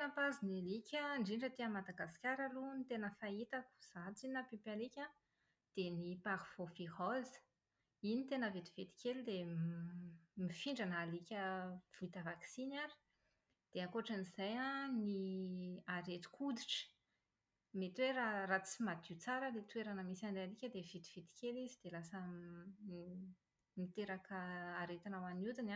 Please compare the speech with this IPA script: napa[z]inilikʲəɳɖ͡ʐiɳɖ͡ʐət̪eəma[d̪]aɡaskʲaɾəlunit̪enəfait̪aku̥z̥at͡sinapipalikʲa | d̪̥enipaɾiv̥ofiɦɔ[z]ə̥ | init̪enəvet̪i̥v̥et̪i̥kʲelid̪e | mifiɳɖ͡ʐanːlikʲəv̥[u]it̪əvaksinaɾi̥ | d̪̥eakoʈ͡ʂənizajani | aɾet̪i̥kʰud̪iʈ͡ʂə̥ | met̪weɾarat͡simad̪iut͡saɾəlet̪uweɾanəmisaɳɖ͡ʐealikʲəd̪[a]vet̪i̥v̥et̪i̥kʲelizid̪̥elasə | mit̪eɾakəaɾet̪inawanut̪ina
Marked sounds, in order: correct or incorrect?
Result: correct, correct, correct, correct, incorrect

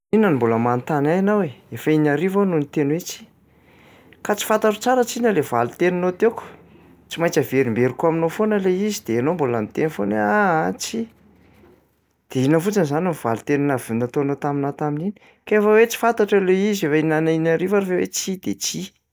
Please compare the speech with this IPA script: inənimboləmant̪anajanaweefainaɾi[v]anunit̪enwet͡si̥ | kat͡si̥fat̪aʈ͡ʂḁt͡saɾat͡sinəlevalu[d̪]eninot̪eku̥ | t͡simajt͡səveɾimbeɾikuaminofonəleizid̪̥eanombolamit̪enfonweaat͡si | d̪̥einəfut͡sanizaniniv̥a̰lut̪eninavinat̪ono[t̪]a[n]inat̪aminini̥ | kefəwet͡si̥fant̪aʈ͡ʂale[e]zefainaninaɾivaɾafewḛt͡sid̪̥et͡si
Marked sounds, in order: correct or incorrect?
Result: correct, incorrect, correct, incorrect, incorrect

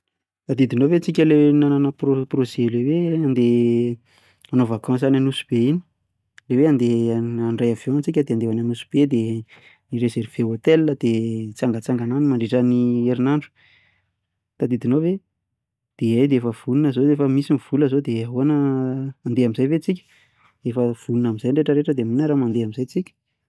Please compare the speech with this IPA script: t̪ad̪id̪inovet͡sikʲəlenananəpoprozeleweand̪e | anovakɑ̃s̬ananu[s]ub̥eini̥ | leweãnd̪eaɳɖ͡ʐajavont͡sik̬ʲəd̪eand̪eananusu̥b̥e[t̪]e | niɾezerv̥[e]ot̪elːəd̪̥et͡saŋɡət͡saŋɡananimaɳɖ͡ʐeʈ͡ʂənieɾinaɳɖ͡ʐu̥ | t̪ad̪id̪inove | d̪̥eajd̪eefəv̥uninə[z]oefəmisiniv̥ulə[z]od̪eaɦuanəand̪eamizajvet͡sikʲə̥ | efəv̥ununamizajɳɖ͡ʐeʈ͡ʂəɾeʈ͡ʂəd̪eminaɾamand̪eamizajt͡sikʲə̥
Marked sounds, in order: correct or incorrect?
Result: correct, incorrect, correct, correct, correct

